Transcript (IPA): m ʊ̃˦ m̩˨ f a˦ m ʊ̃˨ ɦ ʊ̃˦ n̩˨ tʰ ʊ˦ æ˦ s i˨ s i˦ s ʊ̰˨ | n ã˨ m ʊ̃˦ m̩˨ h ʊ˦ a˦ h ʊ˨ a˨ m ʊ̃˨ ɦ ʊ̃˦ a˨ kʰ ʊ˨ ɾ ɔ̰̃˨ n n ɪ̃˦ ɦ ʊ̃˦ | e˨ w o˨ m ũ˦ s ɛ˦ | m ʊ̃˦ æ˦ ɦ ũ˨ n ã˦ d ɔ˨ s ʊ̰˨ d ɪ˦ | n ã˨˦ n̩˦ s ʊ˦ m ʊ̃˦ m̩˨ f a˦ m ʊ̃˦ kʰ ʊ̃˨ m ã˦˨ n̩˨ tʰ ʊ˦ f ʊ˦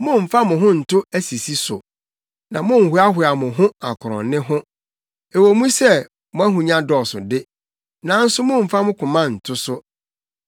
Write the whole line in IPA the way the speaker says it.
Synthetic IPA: m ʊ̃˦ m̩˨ f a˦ m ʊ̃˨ ɦ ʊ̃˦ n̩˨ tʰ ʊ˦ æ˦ s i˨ s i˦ s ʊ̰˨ | n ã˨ m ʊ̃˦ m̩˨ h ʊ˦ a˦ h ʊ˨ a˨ m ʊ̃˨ ɦ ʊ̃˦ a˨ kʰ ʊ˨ ɾ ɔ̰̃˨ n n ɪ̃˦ ɦ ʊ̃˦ | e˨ w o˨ m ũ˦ s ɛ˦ | m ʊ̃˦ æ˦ ɦ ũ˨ ɲ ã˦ d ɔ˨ s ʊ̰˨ d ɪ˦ | n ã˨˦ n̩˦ s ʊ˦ m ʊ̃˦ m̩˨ f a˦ m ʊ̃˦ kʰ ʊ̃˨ m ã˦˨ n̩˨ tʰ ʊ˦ s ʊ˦